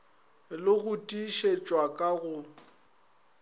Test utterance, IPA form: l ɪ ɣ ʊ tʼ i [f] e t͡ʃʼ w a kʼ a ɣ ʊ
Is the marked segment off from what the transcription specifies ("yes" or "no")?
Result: yes